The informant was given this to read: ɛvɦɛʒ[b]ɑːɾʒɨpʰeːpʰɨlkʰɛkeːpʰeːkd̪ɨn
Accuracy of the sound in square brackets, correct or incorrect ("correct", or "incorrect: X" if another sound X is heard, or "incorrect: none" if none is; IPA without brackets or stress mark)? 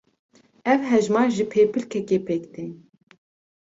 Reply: incorrect: m